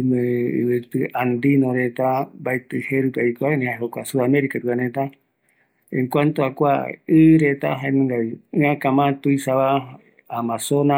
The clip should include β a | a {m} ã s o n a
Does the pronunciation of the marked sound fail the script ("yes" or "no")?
no